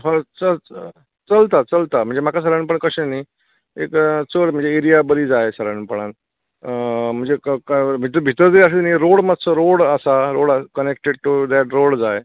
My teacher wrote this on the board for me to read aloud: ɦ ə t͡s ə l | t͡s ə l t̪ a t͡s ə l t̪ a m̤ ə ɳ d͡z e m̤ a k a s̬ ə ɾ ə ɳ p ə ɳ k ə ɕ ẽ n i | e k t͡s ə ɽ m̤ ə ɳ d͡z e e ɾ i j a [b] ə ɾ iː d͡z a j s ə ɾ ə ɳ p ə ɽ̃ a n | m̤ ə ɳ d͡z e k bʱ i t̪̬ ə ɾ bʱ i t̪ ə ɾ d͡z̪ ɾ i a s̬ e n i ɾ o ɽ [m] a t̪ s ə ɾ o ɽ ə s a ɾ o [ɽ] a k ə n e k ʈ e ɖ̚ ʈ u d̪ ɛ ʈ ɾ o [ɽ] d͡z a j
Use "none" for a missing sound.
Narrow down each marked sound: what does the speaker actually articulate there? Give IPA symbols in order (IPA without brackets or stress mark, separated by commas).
b, m, ɽ, ɽ